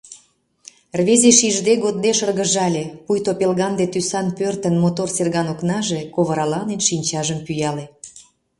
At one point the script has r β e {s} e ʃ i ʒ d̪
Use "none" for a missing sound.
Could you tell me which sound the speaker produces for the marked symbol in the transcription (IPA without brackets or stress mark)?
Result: z